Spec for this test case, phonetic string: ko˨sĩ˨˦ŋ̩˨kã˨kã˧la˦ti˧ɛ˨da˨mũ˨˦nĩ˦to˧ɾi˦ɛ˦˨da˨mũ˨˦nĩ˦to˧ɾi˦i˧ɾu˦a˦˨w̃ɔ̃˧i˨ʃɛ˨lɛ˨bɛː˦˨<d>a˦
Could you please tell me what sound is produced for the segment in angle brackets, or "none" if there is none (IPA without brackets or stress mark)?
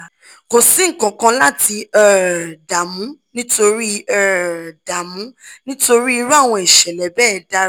d